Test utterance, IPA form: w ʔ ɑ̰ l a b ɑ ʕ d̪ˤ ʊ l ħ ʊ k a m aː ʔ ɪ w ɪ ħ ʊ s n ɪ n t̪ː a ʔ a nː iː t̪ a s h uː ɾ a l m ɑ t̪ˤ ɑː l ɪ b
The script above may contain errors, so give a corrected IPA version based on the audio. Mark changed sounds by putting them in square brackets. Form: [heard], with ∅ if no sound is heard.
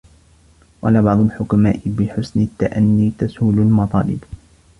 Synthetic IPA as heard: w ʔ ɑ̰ l a b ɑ ʕ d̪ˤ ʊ l ħ ʊ k a m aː ʔ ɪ [b] ɪ ħ ʊ s n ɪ [∅] t̪ː a ʔ a nː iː t̪ a s h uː [l] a l m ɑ t̪ˤ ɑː l ɪ b